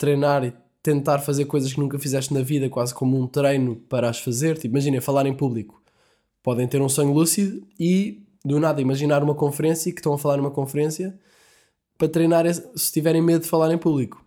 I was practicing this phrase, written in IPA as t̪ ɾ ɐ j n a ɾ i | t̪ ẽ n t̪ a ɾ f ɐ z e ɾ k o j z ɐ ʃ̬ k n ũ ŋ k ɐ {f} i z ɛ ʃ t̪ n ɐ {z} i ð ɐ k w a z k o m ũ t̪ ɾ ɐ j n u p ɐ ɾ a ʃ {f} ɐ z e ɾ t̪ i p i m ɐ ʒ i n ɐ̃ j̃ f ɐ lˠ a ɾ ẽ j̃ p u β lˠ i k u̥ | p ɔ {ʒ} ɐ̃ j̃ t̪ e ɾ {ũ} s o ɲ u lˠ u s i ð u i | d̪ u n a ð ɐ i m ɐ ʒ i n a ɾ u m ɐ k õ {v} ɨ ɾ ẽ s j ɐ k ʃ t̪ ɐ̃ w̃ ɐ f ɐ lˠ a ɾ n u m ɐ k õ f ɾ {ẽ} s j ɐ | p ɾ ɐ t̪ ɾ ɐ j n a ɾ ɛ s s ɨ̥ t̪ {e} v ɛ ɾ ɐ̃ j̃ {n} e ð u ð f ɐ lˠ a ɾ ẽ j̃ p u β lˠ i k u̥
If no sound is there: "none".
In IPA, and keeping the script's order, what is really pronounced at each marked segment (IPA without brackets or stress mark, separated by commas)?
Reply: f, v, f, ð, ũ, f, ẽ, i, m